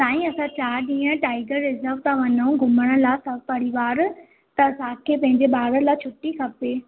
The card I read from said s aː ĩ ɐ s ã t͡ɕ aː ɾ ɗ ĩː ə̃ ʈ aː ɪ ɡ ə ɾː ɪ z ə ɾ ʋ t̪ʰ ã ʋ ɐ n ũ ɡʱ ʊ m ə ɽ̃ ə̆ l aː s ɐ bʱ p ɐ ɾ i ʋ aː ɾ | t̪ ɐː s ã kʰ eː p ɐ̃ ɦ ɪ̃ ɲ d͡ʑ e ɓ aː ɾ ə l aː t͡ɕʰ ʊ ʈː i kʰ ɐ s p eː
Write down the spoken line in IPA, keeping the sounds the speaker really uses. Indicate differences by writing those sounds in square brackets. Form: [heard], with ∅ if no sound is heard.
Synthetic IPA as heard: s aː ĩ ɐ s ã t͡ɕ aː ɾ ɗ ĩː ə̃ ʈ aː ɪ ɡ ə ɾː ɪ z ə ɾ ʋ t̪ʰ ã ʋ ɐ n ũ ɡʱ ʊ m ə ɽ̃ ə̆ l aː s ɐ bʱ p ɐ ɾ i ʋ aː ɾ | t̪ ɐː s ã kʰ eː p ɐ̃ ɦ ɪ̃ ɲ d͡ʑ e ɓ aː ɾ ə l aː t͡ɕʰ ʊ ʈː i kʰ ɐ [∅] p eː